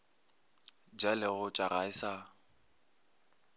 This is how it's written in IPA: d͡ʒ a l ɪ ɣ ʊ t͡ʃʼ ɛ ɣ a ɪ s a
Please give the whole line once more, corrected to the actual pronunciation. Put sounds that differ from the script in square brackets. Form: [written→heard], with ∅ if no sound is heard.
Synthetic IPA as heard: d͡ʒ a l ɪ ɣ ʊ t͡ʃʼ [ɛ→a] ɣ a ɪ s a